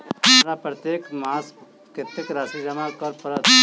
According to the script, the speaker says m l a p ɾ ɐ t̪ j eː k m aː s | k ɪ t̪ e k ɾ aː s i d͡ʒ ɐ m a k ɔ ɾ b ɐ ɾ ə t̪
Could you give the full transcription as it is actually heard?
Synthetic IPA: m ɾ a p ɾ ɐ t̪ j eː k m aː s | k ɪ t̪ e k ɾ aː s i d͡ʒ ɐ m a k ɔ ɾ p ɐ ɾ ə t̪